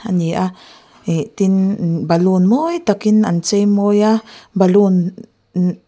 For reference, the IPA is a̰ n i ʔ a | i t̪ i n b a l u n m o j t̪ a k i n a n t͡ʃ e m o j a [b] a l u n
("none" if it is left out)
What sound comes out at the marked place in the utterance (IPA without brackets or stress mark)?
b